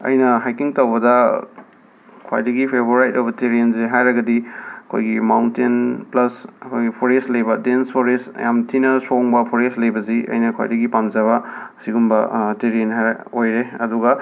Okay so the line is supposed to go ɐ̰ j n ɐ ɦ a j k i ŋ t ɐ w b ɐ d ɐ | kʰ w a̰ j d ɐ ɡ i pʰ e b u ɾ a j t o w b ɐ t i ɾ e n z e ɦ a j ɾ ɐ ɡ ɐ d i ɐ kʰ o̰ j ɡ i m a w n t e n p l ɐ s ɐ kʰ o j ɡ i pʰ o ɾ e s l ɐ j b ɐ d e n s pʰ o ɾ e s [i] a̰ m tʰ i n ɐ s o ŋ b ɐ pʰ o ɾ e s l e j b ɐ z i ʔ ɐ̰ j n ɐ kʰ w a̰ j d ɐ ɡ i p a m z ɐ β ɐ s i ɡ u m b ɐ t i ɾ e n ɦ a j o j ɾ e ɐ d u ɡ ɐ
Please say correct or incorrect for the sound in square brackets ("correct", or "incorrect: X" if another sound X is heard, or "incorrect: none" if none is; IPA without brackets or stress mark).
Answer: incorrect: j